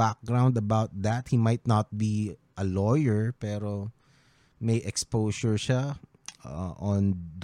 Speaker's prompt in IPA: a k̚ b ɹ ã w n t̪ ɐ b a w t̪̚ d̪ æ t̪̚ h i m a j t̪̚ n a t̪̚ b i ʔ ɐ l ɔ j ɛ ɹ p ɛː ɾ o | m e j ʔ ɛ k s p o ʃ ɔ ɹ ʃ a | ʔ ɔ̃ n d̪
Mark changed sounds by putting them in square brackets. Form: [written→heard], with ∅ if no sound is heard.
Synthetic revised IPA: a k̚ [b→ɡ] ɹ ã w n [t̪→d̪] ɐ b a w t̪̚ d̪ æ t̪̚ h i m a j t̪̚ n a t̪̚ b i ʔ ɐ l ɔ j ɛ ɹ p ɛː ɾ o | m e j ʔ ɛ k s p o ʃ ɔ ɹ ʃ a | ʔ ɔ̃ n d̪